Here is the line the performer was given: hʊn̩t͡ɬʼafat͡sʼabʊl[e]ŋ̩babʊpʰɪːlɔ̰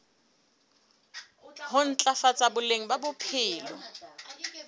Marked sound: correct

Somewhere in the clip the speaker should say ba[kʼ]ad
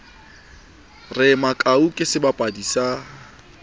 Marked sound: incorrect: pʼ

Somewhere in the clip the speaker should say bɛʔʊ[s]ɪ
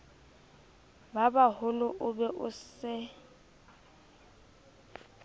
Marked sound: correct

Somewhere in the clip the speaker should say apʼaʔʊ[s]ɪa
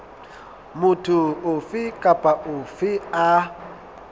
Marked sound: incorrect: f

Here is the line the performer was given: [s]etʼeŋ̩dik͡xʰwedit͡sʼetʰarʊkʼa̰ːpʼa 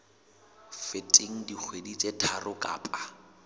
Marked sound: incorrect: f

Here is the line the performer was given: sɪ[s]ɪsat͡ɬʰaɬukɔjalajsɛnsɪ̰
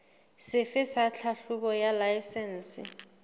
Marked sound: incorrect: f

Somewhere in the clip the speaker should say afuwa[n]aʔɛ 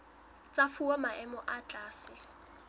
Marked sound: incorrect: m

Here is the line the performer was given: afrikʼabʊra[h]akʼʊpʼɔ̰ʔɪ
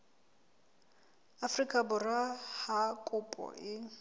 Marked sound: correct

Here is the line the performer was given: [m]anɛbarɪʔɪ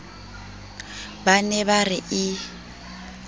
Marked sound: incorrect: b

